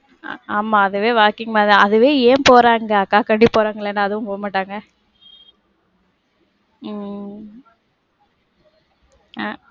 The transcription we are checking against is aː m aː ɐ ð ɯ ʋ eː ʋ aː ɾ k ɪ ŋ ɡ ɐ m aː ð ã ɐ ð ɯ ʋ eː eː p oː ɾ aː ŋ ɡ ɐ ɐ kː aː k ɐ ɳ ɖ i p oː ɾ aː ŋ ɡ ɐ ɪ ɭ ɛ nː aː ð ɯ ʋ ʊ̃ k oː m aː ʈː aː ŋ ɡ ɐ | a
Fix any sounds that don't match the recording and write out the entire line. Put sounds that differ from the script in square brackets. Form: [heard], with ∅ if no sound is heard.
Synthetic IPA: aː m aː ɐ ð ɯ ʋ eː ʋ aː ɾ k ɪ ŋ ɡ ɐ m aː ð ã ɐ ð ɯ ʋ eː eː p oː ɾ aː ŋ ɡ ɐ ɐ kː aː k ɐ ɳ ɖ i p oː ɾ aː ŋ ɡ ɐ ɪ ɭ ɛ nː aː ð ɯ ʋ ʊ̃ [p] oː m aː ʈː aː ŋ ɡ ɐ | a